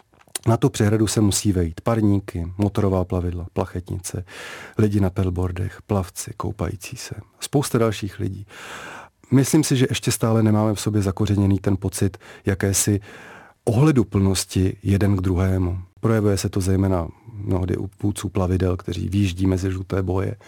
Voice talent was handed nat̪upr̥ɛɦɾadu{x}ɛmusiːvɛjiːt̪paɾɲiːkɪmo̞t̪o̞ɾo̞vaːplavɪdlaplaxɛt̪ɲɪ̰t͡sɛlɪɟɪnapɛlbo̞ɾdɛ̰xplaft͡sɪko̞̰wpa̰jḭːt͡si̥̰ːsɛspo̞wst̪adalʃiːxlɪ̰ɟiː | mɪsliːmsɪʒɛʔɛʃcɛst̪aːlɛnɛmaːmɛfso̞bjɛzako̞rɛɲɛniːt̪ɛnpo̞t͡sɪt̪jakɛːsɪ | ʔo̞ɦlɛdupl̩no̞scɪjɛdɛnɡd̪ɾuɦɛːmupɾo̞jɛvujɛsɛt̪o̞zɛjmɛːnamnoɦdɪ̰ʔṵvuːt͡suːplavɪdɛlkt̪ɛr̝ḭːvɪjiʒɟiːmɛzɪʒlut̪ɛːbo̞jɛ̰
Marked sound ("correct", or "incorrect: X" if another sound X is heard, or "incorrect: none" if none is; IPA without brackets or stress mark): incorrect: s